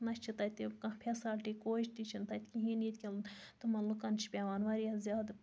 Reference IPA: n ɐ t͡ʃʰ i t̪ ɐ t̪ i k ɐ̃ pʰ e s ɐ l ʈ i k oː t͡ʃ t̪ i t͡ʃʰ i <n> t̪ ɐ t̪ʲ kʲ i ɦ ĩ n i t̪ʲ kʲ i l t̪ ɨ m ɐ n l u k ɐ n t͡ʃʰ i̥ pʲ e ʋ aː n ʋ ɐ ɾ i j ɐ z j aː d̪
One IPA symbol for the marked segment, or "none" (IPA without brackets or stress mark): n